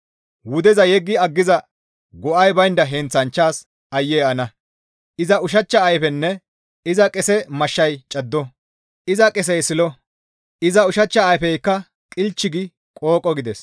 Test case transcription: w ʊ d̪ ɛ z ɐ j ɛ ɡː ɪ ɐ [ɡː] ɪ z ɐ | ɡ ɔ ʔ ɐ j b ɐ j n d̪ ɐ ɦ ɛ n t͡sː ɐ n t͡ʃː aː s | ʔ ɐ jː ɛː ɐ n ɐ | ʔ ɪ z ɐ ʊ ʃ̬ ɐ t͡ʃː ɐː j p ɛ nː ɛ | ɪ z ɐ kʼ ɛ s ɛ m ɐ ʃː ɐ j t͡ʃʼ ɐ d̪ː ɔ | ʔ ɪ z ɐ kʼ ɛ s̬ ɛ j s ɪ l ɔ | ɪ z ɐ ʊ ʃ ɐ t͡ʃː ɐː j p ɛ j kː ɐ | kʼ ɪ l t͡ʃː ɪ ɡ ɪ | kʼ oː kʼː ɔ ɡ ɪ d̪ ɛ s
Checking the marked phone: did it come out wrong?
no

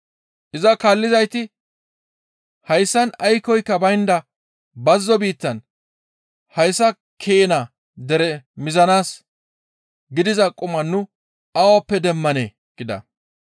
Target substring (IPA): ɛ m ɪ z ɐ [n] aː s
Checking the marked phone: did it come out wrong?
no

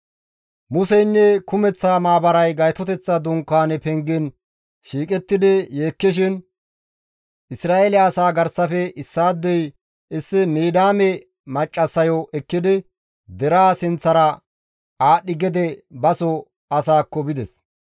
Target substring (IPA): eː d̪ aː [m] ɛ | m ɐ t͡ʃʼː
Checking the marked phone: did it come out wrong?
no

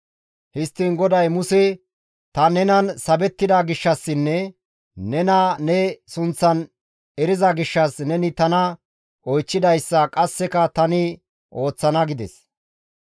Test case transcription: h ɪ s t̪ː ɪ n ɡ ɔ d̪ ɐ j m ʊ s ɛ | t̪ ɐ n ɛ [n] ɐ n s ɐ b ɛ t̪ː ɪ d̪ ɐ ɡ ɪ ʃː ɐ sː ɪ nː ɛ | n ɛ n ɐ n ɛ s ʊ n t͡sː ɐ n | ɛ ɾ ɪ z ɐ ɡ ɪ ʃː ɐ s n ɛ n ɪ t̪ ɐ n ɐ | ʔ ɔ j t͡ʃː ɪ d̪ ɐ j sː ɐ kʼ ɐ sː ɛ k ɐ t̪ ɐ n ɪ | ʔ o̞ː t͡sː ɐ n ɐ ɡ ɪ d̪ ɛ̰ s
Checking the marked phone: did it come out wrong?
no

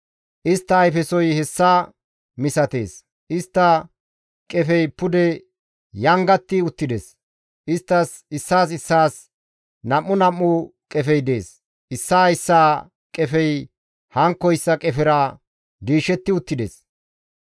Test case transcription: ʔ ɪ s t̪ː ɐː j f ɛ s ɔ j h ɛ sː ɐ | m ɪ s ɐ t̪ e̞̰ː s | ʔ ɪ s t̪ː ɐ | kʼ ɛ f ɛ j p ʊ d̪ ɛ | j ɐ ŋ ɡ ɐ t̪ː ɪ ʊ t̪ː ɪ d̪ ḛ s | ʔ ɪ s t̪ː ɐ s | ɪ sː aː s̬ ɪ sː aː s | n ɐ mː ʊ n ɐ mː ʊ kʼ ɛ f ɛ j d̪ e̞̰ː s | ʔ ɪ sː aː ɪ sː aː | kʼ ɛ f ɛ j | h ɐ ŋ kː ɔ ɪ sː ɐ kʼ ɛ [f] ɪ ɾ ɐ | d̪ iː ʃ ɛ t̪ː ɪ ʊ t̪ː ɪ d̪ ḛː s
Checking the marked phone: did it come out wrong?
no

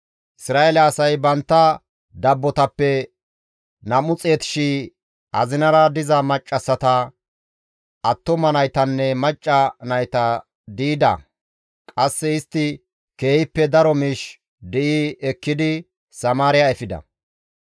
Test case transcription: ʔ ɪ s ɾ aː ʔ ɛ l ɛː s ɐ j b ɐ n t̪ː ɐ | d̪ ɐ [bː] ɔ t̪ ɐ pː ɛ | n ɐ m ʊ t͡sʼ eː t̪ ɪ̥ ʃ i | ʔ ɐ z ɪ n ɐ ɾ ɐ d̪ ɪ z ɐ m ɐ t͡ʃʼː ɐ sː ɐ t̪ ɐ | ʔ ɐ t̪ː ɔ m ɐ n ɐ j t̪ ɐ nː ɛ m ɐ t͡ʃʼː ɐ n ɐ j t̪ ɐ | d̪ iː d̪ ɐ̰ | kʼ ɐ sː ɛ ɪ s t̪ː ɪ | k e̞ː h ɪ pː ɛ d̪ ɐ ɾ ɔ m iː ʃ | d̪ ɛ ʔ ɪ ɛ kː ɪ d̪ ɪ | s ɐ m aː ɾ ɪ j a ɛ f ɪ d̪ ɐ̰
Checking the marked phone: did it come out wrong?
no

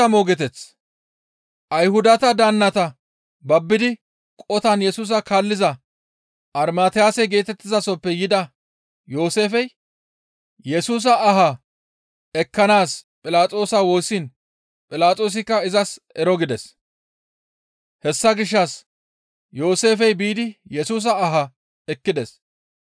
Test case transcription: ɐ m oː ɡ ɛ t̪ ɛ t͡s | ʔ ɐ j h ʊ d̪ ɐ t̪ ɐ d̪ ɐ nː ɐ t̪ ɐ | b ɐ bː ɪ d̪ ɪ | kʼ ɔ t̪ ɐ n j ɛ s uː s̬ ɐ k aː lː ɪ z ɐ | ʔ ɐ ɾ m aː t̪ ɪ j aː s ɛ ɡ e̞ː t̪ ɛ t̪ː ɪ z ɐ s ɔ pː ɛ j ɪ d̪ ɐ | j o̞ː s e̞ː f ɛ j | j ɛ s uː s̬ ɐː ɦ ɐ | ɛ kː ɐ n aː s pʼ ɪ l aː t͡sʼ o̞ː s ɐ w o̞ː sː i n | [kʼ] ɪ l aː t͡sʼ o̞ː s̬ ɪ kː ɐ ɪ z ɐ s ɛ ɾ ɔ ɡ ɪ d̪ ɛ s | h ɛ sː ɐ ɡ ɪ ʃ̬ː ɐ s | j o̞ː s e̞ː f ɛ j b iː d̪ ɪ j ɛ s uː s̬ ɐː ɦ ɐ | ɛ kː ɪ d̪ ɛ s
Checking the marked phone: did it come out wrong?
yes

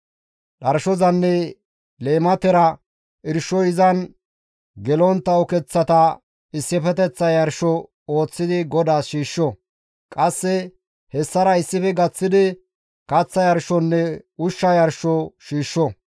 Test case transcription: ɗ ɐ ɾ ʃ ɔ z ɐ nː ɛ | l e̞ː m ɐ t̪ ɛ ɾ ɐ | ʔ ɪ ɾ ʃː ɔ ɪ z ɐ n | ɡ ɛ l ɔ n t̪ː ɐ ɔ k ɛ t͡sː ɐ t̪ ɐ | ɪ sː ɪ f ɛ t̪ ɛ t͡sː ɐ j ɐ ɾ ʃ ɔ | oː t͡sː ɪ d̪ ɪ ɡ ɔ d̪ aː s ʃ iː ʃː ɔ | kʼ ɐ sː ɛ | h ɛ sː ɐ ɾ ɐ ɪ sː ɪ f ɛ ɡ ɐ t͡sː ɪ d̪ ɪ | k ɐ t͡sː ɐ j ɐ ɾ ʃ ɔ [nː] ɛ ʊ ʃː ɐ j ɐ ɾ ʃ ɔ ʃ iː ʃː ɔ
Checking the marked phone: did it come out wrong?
no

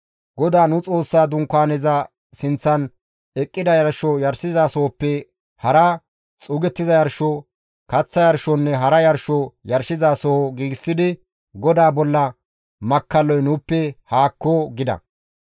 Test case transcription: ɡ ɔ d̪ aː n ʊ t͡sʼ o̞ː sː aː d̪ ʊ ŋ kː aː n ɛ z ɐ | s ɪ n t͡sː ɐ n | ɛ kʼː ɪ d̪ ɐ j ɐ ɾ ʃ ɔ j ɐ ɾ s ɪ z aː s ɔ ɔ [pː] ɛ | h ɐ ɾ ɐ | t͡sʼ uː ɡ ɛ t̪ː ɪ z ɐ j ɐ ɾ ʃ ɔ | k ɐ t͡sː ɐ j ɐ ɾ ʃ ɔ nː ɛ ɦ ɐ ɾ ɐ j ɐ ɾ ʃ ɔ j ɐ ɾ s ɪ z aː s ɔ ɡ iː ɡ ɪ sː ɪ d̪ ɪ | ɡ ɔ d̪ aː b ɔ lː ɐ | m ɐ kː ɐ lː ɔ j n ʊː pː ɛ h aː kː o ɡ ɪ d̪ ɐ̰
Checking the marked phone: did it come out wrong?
no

